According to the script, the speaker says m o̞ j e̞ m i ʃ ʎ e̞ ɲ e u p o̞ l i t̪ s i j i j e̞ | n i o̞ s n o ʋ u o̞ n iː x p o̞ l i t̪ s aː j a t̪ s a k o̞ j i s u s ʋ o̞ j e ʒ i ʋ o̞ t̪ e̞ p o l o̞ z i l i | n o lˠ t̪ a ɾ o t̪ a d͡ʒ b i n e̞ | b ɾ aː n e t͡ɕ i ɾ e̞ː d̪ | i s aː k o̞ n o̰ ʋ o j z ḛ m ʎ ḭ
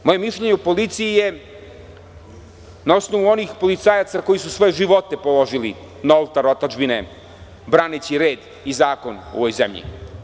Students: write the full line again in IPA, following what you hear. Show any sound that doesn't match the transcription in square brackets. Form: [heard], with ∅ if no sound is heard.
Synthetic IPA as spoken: m o̞ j e̞ m i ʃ ʎ e̞ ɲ e u p o̞ l i t̪ s i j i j e̞ | n [a] o̞ s n o ʋ u o̞ n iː x p o̞ l i t̪ s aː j a t̪ s a k o̞ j i s u s ʋ o̞ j e ʒ i ʋ o̞ t̪ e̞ p o l o̞ [ʒ] i l i | n o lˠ t̪ a ɾ o t̪ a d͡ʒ b i n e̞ | b ɾ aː n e t͡ɕ i ɾ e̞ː d̪ | i [z] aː k o̞ n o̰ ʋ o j z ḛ m ʎ ḭ